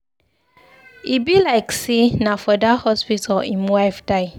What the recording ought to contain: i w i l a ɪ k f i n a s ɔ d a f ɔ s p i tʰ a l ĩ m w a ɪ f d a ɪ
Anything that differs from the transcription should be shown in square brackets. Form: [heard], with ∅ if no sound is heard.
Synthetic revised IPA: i [b] i l a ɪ k [s] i n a [f] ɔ d a [h] ɔ s p i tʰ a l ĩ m w a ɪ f d a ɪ